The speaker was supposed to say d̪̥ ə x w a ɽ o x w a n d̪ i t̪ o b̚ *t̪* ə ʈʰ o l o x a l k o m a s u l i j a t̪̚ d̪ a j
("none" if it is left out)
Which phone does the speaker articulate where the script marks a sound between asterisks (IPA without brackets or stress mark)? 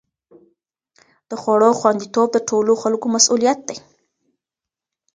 d̪